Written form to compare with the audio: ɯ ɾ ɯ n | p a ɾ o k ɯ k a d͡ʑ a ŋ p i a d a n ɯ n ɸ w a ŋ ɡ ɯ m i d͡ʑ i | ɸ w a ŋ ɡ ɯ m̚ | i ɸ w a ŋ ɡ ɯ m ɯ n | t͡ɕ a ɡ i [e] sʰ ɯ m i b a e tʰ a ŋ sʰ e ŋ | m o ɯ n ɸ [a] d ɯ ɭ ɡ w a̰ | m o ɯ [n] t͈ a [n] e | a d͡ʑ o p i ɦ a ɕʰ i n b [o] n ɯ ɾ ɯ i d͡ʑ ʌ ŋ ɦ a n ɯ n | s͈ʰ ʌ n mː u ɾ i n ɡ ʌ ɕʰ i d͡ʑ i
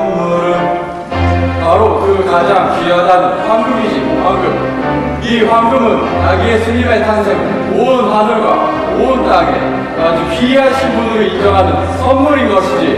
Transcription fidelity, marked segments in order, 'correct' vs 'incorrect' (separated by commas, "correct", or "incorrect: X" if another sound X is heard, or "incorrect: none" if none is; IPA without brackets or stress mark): correct, correct, correct, incorrect: ŋ, incorrect: u